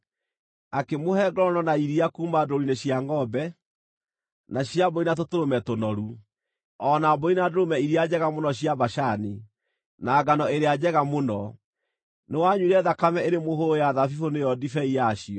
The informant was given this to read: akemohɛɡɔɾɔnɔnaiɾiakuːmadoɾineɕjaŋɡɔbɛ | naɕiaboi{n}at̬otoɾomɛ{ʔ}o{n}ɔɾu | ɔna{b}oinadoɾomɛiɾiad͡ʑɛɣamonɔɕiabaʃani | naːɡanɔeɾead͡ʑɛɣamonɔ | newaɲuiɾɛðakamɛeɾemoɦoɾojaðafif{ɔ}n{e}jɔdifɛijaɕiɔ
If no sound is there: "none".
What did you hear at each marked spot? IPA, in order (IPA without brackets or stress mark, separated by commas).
n, t, n, b, o, e